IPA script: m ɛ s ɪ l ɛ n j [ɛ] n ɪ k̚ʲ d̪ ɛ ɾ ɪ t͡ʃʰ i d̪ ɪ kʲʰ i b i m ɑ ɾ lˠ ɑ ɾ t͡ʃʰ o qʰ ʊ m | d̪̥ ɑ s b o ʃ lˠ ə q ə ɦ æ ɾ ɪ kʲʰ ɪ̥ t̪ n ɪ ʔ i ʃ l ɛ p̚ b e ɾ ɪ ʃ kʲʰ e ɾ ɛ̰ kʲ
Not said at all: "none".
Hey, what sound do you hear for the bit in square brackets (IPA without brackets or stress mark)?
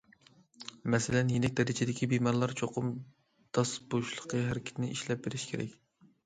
e